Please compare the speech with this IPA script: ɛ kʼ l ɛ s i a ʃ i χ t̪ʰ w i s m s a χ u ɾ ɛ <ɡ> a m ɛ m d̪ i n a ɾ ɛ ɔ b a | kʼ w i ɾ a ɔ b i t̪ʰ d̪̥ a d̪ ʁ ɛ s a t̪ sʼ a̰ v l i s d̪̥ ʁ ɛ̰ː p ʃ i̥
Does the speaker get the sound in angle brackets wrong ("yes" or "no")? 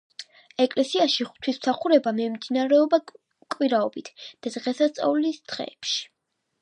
yes